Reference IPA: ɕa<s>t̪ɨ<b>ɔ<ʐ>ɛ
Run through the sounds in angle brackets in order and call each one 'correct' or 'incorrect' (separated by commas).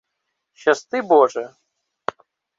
correct, correct, correct